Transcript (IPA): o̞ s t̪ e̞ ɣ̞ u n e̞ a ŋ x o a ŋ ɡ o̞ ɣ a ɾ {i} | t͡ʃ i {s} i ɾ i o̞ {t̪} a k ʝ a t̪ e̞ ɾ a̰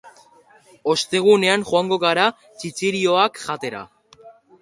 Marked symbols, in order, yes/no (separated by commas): no, no, no